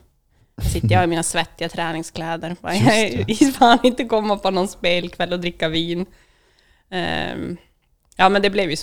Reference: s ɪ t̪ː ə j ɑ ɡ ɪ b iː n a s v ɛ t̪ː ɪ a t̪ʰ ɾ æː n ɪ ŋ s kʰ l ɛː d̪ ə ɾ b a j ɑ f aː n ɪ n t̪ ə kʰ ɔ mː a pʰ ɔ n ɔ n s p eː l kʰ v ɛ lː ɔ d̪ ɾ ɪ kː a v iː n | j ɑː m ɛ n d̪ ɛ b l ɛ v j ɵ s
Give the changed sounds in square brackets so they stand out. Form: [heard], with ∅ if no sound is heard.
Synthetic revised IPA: s ɪ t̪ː ə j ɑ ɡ ɪ [m] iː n a s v ɛ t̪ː ɪ a t̪ʰ ɾ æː n ɪ ŋ s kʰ l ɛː d̪ ə ɾ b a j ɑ f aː n ɪ n t̪ ə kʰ ɔ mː a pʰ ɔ n ɔ n s p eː l kʰ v ɛ lː ɔ d̪ ɾ ɪ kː a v iː n | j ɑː m ɛ n d̪ ɛ b l ɛ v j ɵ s